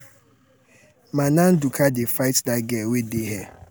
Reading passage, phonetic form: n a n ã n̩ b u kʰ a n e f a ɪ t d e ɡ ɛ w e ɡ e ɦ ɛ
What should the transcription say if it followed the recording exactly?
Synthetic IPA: m a n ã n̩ d u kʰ a d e f a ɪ t d a ɡ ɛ w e d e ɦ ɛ